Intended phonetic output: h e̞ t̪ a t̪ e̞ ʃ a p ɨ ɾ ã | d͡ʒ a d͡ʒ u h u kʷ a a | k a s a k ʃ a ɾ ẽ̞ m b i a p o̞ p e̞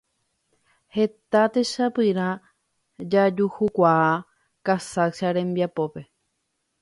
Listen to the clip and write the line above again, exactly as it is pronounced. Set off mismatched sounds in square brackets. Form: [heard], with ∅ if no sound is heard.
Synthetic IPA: h e̞ t̪ a t̪ e̞ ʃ a p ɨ ɾ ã | d͡ʒ a d͡ʒ u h u kʷ a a | k a s a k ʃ a ɾ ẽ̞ m b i a p o̞ p e̞